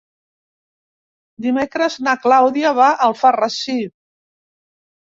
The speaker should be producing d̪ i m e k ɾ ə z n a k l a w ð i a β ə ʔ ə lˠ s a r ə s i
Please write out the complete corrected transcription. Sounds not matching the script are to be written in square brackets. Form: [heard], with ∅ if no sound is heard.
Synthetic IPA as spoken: d̪ i m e k ɾ ə z n a k l a w ð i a β [a] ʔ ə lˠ [f] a r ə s i